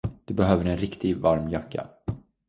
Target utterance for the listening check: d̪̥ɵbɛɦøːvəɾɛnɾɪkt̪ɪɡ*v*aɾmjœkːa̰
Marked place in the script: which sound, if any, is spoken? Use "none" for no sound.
v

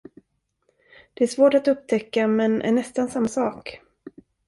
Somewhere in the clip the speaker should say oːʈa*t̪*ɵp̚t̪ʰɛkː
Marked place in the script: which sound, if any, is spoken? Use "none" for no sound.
t̪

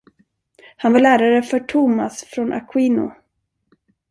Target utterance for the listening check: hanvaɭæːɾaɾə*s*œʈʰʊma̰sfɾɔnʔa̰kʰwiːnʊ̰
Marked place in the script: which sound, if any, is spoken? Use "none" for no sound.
f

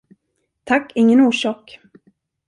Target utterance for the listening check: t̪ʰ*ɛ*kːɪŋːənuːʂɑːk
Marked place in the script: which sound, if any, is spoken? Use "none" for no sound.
a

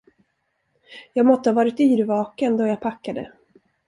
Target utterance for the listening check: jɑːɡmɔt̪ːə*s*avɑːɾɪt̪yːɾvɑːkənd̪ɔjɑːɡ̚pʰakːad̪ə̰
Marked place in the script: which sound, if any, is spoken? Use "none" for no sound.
h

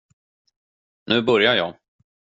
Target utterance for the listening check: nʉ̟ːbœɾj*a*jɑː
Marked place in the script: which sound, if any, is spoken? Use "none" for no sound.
a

